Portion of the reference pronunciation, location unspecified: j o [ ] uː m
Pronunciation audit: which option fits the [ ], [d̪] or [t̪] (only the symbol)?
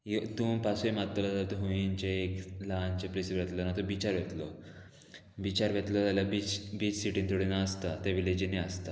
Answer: t̪